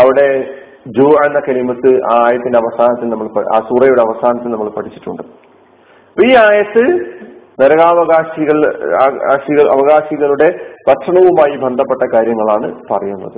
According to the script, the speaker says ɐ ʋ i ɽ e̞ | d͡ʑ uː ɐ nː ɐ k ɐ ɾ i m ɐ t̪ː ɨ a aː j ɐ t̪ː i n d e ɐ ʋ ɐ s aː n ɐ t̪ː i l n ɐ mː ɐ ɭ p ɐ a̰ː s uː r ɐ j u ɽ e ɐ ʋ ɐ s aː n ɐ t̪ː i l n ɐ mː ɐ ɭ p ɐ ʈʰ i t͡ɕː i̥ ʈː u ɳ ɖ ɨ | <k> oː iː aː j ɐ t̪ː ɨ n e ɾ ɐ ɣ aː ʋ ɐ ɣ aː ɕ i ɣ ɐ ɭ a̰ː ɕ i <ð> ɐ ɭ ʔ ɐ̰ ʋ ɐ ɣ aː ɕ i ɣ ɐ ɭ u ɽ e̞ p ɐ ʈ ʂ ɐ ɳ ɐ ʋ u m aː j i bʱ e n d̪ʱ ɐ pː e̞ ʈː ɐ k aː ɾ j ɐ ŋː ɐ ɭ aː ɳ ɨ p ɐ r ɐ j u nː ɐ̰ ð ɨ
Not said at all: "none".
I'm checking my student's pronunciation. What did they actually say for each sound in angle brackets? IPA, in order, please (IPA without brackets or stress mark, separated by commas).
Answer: p, ɣ